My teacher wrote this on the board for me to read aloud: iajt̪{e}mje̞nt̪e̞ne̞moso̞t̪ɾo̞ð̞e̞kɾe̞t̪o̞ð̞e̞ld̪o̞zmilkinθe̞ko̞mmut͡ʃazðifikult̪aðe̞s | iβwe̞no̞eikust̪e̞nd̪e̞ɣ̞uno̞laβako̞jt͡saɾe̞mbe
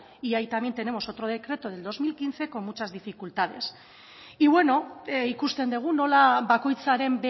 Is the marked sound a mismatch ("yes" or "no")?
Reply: yes